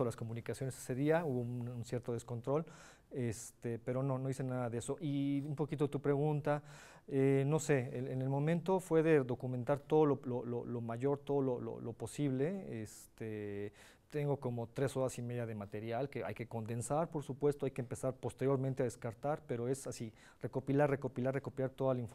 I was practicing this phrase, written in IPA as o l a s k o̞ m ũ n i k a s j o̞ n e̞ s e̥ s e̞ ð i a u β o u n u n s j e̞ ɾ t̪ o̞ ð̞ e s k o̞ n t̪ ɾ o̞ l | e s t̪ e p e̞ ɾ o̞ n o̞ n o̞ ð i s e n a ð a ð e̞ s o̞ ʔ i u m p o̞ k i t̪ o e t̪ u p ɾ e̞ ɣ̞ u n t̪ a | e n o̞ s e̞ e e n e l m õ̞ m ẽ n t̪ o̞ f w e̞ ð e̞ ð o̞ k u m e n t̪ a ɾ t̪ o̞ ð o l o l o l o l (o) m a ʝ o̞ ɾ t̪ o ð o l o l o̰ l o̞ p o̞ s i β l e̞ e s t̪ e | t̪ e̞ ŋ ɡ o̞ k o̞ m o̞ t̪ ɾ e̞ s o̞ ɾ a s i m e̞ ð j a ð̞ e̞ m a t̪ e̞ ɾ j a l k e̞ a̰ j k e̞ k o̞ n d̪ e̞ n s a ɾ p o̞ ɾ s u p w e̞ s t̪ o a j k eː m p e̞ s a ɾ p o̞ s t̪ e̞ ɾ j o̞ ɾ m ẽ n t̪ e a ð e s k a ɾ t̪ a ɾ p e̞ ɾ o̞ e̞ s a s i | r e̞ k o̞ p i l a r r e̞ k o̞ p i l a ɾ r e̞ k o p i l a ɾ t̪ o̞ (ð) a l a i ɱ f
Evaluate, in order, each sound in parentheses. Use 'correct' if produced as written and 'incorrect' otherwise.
correct, correct

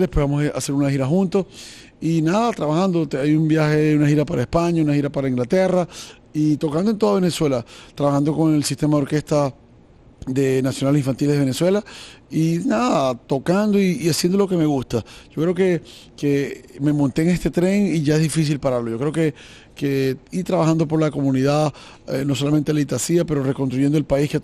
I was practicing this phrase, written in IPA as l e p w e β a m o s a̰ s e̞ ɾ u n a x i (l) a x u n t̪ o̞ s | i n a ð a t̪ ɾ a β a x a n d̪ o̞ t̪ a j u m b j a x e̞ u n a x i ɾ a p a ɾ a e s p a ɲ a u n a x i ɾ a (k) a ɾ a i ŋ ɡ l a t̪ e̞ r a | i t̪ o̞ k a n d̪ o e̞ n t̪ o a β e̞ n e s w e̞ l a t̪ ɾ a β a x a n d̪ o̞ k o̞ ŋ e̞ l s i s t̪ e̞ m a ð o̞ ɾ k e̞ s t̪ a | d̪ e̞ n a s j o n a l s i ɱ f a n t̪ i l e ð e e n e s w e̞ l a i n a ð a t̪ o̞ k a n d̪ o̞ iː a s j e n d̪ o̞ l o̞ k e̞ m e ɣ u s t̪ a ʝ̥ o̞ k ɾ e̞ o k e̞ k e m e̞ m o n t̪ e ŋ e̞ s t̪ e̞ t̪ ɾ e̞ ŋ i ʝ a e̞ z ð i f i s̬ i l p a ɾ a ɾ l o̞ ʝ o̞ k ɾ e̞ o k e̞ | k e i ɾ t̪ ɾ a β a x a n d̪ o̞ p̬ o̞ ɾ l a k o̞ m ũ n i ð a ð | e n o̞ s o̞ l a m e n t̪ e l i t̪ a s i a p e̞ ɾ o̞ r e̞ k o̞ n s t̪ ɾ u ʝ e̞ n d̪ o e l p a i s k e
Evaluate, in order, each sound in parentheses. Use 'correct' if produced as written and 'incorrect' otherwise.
incorrect: ɾ, incorrect: p

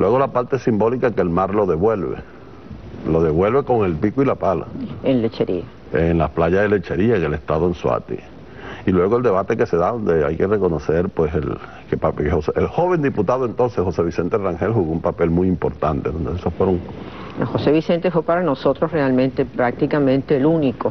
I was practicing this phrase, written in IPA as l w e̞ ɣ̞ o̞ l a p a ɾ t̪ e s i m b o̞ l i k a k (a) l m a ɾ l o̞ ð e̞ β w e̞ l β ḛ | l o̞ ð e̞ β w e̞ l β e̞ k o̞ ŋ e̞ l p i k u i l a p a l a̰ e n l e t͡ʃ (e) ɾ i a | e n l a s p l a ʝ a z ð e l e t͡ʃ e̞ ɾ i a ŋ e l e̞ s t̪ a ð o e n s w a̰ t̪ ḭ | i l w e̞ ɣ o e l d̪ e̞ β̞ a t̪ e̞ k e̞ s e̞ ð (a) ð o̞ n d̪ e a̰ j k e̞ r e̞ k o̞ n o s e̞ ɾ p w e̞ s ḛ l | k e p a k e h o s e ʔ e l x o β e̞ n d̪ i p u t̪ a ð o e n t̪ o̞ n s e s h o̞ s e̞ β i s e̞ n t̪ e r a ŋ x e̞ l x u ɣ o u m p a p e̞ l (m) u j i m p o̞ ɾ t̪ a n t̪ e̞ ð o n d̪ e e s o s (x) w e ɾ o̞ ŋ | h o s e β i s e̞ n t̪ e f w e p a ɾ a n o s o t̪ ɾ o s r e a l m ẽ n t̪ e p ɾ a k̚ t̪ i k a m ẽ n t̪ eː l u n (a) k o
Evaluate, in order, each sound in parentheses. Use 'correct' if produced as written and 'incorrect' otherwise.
incorrect: e, correct, correct, correct, incorrect: f, incorrect: i

